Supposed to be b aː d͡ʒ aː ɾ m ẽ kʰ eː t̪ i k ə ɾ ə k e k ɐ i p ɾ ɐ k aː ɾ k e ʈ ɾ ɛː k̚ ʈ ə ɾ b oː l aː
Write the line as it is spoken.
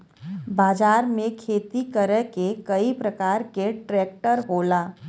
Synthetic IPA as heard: b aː d͡ʒ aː ɾ m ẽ kʰ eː t̪ i k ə ɾ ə k e k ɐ i p ɾ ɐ k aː ɾ k e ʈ ɾ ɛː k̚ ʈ ə ɾ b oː l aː